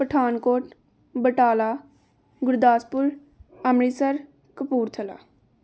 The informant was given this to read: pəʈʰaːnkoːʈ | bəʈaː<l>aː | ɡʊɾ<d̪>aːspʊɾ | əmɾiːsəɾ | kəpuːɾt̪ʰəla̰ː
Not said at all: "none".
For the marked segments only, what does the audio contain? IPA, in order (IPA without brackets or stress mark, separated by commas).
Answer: l, d̪